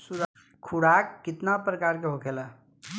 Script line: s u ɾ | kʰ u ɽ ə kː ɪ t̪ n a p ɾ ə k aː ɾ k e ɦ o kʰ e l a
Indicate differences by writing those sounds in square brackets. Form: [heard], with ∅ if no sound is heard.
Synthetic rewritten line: s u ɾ | kʰ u ɽ [a] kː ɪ t̪ n a p ɾ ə k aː ɾ k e ɦ o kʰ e l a